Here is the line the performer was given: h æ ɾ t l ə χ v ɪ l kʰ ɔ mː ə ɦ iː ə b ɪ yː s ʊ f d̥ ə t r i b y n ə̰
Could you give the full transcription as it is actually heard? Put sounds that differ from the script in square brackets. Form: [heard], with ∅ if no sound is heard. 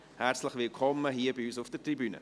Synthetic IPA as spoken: h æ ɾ [t͡s] l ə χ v ɪ l kʰ ɔ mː ə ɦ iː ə b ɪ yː s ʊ f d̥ ə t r i b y n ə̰